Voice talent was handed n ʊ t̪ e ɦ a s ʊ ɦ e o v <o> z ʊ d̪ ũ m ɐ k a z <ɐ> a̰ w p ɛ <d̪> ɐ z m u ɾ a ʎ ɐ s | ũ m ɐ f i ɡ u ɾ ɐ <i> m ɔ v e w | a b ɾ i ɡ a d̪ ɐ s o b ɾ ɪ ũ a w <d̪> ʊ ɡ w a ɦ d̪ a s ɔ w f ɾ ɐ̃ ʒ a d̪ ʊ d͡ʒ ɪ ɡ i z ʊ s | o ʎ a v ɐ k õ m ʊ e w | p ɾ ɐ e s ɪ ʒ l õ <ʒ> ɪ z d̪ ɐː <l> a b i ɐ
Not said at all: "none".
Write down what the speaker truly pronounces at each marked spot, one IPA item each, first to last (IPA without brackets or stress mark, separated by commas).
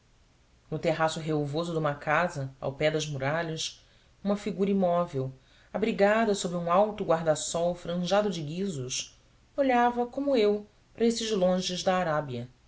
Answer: o, ɐ, d̪, i, t̪, ʒ, ɾ